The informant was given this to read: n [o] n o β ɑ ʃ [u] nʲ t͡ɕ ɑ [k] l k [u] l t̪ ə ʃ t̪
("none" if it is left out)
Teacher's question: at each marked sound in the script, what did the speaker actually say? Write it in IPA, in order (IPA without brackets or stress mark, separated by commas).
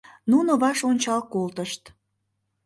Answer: u, o, none, o